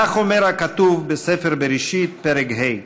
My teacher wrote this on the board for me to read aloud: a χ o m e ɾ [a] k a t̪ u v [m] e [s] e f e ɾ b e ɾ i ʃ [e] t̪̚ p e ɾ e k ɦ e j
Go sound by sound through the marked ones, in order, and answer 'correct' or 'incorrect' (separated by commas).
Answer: correct, incorrect, correct, incorrect